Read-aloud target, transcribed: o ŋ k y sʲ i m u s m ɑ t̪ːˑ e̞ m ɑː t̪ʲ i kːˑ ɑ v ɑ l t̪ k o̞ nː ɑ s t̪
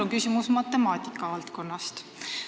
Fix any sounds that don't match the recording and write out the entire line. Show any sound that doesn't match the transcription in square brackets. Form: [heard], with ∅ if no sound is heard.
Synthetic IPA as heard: o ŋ k y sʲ i m u s m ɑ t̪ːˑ e̞ m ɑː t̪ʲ i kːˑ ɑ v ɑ l t̪ k o̞ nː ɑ s t̪

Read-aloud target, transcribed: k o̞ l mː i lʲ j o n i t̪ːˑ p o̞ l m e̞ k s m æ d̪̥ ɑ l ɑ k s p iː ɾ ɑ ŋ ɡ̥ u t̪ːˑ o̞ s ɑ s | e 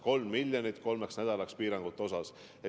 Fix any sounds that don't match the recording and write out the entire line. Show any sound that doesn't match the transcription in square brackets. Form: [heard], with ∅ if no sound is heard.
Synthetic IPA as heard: k o̞ l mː i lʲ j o n i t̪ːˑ [k] o̞ l m e̞ k s [n] æ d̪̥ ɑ l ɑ k s p iː ɾ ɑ ŋ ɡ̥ u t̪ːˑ o̞ s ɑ s | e

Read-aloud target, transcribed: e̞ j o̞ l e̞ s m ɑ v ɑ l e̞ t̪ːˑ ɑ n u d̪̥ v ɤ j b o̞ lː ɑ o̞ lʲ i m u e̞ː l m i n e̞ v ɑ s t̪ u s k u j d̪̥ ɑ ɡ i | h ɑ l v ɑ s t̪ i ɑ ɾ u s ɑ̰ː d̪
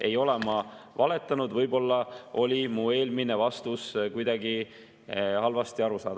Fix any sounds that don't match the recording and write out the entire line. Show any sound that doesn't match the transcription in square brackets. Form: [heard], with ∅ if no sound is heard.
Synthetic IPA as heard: e̞ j o̞ l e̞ [∅] m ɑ v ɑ l e̞ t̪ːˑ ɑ n u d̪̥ v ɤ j b o̞ lː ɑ o̞ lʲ i m u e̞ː l m i n e̞ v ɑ s t̪ u s k u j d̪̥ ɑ ɡ i | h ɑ l v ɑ s t̪ i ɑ ɾ u s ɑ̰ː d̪

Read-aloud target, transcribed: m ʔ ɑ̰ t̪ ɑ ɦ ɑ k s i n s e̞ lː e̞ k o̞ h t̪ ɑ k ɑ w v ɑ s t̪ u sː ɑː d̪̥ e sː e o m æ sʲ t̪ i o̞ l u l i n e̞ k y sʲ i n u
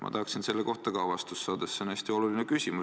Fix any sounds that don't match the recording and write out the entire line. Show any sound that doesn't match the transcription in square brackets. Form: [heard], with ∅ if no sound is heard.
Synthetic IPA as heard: m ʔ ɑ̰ t̪ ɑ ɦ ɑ k s i n s e̞ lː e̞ k o̞ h t̪ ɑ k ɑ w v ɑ s t̪ u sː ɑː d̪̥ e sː e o [n] æ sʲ t̪ i o̞ l u l i n e̞ k y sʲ i [m] u

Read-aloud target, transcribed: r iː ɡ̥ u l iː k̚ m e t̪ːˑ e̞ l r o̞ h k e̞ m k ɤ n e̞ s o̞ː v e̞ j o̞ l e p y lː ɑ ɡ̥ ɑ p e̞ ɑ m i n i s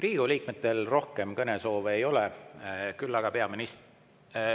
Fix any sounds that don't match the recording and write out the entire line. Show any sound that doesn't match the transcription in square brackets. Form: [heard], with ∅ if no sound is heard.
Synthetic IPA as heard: r iː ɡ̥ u l iː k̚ m e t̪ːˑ e̞ l r o̞ h k e̞ m k ɤ n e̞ s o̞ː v e̞ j o̞ l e [k] y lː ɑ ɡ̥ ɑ p e̞ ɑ m i n i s

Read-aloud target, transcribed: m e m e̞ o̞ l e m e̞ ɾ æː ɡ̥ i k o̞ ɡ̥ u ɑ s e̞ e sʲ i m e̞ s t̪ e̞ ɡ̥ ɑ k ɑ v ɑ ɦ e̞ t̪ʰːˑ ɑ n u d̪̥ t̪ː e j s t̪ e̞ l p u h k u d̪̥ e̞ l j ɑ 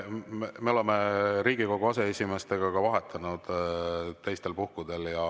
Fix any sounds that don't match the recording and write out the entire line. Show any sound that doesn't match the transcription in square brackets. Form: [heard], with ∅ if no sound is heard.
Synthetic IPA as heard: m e m e̞ o̞ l e m e̞ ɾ [iː] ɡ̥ i k o̞ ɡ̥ u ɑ s e̞ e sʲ i m e̞ s t̪ e̞ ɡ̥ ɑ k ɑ v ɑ ɦ e̞ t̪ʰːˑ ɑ n u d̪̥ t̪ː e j s t̪ e̞ l p u h k u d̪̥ e̞ l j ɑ

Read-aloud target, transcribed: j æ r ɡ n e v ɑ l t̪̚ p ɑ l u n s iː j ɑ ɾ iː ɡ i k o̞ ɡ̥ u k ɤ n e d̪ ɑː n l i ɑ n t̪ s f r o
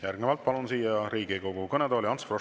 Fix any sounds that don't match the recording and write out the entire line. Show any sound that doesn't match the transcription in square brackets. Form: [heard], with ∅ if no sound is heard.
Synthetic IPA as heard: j æ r ɡ n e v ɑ l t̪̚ p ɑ l u n s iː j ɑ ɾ iː ɡ i k o̞ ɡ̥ u k ɤ n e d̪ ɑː [∅] l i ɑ n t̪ s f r o

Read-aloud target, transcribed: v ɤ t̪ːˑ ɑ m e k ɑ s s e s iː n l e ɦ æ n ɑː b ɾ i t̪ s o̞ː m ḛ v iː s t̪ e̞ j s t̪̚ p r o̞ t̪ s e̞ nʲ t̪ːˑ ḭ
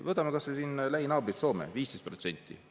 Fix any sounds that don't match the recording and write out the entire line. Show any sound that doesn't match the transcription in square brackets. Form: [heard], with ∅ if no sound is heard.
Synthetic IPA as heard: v ɤ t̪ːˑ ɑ m e k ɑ s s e s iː n l [æ] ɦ [i] n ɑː b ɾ i t̪ s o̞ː m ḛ v iː s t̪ e̞ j s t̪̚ p r o̞ t̪ s e̞ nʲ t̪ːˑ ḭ

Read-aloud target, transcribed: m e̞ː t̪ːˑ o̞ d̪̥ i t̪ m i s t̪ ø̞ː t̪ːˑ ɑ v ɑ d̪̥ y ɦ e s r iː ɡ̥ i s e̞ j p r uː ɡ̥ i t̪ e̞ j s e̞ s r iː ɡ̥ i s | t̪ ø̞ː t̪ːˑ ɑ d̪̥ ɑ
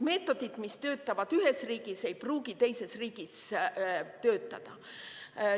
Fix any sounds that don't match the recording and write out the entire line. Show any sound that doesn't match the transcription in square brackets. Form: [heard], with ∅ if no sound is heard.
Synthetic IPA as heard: m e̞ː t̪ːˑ o̞ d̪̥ i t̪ m i s t̪ ø̞ː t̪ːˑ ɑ v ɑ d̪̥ y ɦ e s r iː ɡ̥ i s e̞ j p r uː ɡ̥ i t̪ e̞ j s e̞ s r iː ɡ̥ i s | t̪ ø̞ː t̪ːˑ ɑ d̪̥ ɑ

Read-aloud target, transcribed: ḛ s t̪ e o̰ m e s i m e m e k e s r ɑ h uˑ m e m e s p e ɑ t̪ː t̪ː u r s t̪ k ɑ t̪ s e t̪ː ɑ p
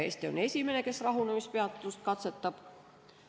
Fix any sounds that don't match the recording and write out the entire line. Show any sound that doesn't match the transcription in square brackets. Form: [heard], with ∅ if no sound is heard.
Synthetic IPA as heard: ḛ s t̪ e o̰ [n] e s i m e [n] e k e s r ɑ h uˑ [n] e m [i] s p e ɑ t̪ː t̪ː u [∅] s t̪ k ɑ t̪ s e t̪ː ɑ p

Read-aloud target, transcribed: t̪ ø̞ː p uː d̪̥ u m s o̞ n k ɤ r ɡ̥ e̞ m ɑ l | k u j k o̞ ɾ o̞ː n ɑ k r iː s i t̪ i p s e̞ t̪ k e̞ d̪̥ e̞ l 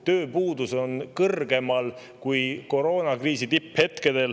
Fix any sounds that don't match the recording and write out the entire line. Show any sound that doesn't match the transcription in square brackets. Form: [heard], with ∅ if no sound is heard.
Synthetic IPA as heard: t̪ ø̞ː p uː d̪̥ u [∅] s o̞ n k ɤ r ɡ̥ e̞ m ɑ l | k u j k o̞ ɾ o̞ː n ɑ k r iː s i t̪ i p [h] e̞ t̪ k e̞ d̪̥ e̞ l

